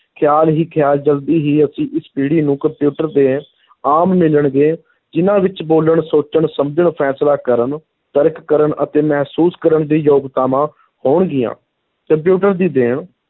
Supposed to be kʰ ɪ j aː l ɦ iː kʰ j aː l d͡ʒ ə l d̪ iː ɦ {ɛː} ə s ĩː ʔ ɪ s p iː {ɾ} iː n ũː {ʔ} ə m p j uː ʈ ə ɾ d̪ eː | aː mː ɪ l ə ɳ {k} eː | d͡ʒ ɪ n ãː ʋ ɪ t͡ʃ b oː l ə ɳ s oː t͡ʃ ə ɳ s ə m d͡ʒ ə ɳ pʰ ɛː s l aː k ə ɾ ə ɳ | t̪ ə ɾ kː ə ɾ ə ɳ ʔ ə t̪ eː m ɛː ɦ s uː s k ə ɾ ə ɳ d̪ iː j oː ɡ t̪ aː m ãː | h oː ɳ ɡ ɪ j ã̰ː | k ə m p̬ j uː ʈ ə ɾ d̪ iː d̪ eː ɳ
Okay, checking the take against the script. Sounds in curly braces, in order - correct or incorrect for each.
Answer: incorrect: iː, incorrect: ɽ, incorrect: k, incorrect: ɡ

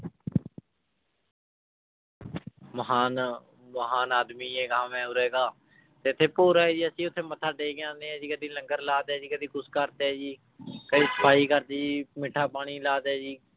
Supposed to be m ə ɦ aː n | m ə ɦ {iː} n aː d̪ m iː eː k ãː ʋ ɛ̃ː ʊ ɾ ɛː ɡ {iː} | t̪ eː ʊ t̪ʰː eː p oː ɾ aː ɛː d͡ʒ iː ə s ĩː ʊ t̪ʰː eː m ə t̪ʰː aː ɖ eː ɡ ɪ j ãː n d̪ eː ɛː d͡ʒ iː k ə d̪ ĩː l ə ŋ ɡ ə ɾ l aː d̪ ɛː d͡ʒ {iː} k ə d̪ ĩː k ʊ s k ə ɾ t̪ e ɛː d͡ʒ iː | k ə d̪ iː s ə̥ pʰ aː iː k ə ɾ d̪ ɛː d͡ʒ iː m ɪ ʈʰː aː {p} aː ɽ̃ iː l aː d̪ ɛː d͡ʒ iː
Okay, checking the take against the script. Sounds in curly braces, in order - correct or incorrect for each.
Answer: incorrect: aː, incorrect: aː, correct, correct

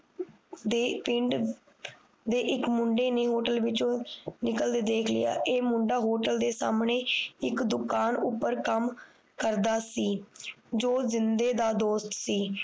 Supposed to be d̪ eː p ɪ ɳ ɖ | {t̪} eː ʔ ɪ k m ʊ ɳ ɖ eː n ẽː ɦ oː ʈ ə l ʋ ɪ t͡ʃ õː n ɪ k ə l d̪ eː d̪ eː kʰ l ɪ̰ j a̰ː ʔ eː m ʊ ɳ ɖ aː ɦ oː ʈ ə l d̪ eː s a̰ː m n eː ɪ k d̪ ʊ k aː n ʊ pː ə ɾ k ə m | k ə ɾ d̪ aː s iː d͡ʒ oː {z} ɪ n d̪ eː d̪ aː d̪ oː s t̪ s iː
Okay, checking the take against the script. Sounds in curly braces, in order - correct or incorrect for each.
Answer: incorrect: d̪, correct

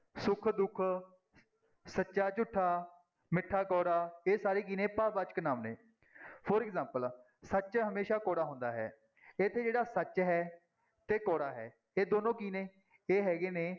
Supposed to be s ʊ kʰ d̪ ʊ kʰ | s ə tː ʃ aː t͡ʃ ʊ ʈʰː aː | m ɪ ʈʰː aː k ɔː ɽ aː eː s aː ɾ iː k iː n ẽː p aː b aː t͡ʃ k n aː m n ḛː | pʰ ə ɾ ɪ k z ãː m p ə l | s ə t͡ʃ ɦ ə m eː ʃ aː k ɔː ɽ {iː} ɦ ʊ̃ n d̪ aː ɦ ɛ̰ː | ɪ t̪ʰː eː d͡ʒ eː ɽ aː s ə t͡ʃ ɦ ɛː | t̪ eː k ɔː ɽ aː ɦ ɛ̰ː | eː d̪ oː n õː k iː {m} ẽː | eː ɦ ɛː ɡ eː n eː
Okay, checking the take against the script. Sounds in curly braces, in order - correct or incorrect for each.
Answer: incorrect: aː, incorrect: n

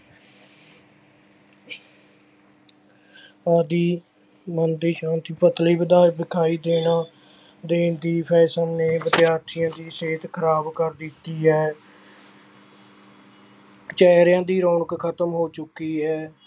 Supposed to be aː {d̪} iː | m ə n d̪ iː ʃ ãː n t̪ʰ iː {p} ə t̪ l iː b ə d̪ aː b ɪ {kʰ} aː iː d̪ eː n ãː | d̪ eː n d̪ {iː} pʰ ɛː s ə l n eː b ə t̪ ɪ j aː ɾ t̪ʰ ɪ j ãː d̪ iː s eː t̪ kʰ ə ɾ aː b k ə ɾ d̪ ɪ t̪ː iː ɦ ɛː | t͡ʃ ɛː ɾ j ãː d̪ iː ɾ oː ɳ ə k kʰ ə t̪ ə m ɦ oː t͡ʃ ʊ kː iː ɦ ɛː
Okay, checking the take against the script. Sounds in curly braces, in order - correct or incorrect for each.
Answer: correct, correct, correct, correct

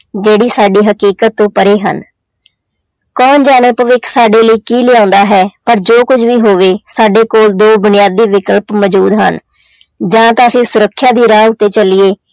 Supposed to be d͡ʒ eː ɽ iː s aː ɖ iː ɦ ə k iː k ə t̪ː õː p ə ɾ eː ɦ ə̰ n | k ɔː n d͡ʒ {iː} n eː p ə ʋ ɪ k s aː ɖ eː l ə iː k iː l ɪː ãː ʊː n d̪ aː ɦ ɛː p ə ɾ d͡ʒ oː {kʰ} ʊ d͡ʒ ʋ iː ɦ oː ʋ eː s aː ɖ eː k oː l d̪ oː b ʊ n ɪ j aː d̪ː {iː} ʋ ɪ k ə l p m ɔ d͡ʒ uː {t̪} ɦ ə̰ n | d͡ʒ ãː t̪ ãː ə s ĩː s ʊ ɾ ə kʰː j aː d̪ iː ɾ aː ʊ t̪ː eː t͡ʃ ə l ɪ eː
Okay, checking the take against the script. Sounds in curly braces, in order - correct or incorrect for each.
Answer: incorrect: aː, incorrect: k, correct, incorrect: d̪

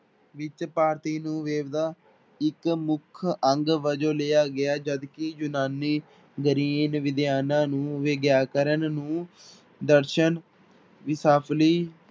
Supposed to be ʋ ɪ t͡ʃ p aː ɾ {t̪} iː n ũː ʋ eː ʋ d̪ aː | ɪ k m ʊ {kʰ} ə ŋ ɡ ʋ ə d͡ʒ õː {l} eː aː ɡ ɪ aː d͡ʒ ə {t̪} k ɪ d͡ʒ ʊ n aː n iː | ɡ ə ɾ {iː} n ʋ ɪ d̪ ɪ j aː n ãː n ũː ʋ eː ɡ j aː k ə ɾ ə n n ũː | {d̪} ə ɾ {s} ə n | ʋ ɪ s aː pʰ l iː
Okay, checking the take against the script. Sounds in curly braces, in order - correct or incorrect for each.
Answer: correct, correct, correct, incorrect: d̪, correct, correct, incorrect: ʃ

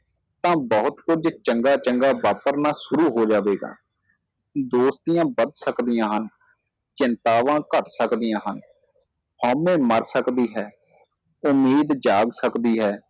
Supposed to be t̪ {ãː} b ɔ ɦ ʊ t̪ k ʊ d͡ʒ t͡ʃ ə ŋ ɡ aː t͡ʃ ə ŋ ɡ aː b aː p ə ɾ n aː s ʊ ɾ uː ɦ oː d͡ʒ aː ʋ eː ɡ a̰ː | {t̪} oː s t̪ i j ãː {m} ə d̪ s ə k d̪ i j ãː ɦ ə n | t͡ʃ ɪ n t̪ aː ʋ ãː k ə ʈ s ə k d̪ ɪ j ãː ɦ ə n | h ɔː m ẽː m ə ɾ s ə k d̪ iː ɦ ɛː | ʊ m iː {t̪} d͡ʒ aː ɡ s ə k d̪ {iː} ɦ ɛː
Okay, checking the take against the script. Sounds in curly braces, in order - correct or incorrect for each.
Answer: correct, incorrect: d̪, incorrect: b, incorrect: d̪, correct

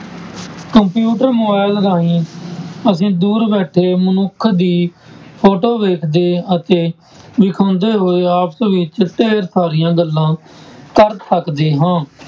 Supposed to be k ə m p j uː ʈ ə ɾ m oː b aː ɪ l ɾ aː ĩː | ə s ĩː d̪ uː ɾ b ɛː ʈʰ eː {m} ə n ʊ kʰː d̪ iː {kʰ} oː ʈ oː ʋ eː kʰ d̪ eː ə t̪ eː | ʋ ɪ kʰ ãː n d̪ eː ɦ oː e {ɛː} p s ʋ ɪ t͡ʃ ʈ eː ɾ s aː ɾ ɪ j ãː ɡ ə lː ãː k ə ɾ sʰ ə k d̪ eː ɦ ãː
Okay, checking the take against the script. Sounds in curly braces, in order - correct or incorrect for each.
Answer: correct, incorrect: pʰ, incorrect: aː

